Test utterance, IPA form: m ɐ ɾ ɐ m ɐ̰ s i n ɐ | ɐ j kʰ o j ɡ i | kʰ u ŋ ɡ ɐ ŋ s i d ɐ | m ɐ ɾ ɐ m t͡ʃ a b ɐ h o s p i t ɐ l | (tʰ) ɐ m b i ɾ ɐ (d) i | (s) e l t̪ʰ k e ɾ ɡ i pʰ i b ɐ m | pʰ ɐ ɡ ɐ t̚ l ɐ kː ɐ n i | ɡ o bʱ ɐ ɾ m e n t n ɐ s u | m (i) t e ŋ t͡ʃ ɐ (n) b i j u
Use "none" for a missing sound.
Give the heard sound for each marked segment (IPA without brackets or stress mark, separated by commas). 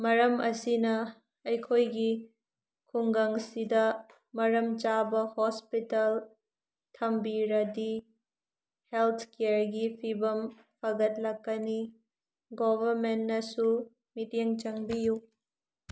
tʰ, d, h, i, ŋ